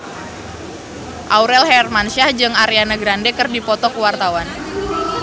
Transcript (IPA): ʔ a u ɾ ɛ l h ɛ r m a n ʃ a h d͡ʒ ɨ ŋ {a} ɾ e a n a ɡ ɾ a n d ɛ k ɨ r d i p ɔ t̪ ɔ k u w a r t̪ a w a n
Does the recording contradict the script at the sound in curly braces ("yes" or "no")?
no